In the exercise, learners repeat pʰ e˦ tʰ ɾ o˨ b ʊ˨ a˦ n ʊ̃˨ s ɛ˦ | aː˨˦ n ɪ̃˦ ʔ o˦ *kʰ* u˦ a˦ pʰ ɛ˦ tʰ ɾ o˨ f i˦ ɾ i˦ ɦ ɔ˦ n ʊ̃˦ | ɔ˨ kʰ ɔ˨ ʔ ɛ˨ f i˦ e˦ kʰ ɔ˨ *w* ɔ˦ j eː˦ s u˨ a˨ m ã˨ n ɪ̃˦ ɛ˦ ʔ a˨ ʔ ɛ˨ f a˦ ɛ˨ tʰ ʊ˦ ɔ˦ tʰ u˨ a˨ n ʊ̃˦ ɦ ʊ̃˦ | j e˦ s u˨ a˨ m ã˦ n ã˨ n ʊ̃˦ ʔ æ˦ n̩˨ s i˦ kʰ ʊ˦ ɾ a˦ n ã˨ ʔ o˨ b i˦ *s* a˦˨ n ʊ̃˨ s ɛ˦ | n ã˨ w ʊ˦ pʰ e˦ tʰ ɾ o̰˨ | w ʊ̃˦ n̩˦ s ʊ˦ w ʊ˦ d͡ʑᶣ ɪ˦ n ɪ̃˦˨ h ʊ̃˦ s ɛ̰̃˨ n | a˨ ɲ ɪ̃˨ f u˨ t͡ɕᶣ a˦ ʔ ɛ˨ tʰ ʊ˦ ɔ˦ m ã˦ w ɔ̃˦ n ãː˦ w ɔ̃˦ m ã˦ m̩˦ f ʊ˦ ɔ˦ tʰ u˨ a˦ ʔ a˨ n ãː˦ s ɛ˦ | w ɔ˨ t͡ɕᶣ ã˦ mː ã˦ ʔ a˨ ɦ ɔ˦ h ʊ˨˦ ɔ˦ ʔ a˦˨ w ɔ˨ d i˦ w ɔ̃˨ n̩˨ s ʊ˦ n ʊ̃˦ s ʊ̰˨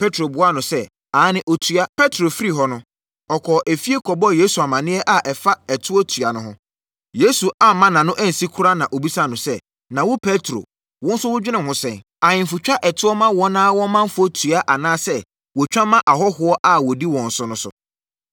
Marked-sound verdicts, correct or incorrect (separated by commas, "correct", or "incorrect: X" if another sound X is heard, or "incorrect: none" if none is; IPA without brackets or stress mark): incorrect: tʰ, incorrect: b, correct